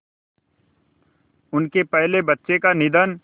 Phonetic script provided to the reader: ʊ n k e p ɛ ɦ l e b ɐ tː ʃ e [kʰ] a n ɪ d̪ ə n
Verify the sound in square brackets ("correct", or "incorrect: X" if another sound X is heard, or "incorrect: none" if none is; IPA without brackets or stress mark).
incorrect: k